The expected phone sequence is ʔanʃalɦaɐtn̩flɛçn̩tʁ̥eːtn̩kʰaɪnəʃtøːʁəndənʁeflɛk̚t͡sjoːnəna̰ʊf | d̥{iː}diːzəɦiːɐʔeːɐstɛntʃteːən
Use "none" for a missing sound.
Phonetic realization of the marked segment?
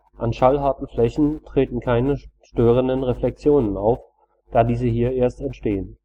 aː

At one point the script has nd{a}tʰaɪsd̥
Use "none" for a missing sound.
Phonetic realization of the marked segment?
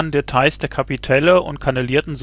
e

